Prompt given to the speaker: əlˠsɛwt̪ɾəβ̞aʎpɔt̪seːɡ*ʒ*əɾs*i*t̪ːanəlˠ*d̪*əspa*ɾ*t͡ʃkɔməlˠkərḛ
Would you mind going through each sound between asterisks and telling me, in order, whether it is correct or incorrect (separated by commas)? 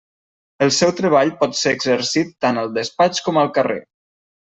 incorrect, correct, correct, incorrect